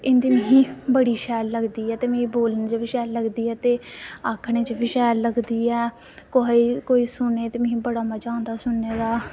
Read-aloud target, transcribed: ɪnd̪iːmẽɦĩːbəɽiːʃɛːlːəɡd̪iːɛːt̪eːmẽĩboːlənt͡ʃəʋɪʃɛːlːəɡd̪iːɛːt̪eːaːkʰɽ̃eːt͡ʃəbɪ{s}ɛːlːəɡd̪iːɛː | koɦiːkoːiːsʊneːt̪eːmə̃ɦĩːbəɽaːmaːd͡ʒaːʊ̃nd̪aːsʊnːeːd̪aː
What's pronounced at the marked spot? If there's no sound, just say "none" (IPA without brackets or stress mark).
ʃ